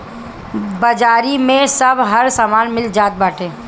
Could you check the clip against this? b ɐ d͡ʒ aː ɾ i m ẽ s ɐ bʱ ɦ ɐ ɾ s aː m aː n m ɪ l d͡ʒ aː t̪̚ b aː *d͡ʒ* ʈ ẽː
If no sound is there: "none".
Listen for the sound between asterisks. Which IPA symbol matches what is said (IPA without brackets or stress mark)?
none